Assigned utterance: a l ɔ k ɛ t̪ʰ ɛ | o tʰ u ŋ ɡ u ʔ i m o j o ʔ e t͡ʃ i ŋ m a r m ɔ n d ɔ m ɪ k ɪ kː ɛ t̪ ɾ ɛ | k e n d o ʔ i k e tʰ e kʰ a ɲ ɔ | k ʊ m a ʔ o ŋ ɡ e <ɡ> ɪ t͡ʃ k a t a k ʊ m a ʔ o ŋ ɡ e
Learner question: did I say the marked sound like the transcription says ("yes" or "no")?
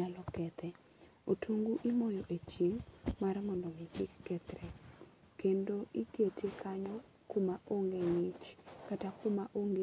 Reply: no